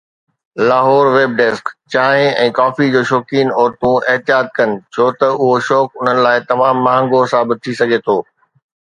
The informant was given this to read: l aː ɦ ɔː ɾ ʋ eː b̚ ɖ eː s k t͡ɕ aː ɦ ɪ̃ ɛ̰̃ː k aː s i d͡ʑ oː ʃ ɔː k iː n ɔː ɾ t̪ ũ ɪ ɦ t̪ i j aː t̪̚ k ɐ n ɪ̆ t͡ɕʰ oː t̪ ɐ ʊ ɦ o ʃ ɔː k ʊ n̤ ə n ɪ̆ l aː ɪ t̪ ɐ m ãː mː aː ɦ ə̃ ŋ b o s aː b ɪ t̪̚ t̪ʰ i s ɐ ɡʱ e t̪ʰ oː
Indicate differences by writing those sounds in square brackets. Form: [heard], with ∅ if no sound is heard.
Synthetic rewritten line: l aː ɦ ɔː ɾ ʋ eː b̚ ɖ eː s k t͡ɕ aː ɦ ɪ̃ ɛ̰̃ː k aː [f] i d͡ʑ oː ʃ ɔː k iː n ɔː ɾ t̪ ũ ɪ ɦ t̪ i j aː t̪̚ k ɐ n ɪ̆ t͡ɕʰ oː t̪ ɐ ʊ ɦ o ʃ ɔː k ʊ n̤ ə n ɪ̆ l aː ɪ t̪ ɐ m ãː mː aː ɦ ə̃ ŋ [ɡ] o s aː b ɪ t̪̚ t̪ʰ i s ɐ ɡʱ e t̪ʰ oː